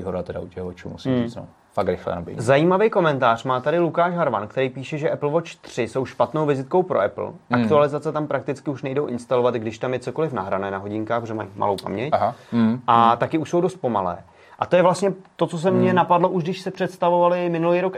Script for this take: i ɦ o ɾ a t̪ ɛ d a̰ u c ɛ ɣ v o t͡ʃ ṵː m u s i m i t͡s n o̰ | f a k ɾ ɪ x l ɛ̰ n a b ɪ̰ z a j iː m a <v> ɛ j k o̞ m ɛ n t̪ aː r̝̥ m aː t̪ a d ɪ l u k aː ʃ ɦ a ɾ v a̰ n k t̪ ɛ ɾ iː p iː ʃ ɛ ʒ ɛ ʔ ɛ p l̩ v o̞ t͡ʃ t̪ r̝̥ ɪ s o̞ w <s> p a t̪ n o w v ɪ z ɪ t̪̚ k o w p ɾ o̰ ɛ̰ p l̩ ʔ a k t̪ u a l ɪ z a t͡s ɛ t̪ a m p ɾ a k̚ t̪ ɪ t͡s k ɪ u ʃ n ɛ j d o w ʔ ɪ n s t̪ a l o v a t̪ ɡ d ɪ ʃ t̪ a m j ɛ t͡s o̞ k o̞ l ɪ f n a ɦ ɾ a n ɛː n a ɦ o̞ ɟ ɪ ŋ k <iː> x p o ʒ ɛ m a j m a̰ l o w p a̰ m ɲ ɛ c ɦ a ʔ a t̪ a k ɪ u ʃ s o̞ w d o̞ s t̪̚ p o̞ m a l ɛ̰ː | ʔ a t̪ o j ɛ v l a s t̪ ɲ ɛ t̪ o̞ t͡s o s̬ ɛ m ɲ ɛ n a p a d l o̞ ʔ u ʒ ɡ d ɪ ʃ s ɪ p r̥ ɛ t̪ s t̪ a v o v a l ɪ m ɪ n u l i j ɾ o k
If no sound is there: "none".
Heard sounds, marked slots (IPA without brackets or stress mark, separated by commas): v, ʃ, aː